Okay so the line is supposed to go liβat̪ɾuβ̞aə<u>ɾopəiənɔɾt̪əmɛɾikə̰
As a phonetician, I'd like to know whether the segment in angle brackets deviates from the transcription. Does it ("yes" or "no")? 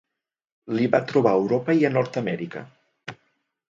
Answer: yes